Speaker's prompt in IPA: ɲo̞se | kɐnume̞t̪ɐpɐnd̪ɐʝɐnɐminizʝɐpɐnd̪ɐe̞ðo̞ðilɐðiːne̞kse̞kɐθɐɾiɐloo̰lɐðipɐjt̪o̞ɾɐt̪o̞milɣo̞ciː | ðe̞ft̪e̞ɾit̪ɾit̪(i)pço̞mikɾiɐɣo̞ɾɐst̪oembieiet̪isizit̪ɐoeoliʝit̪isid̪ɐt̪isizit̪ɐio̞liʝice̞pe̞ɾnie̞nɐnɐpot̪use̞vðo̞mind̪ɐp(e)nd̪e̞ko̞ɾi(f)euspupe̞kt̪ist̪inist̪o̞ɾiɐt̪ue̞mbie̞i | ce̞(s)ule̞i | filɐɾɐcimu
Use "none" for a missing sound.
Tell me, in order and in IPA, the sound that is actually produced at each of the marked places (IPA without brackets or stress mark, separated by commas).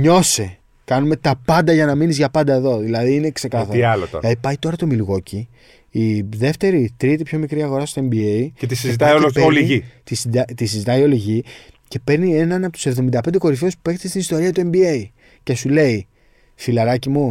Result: i, e, f, s